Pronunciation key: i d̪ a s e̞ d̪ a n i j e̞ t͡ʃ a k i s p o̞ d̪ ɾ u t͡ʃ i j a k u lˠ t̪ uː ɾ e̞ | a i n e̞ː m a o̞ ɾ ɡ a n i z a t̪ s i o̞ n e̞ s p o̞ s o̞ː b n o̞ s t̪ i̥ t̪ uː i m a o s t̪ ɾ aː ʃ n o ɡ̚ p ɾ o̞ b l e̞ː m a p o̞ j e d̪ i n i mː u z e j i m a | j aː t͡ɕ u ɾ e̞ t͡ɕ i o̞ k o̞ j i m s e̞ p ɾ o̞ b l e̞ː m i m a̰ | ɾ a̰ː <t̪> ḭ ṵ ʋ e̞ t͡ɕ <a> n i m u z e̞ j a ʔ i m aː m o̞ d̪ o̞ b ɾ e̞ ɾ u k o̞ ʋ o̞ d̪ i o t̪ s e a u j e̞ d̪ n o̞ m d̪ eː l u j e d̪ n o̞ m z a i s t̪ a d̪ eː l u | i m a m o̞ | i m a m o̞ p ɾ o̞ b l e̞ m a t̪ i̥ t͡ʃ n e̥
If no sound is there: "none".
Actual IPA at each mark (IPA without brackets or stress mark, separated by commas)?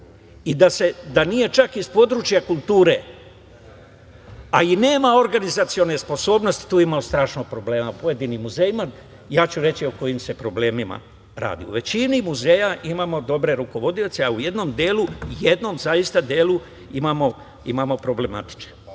d̪, i